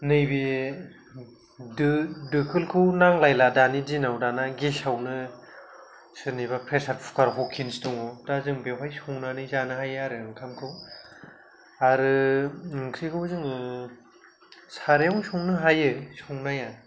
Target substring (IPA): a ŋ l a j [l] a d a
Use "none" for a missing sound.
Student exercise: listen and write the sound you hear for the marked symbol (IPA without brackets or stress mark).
l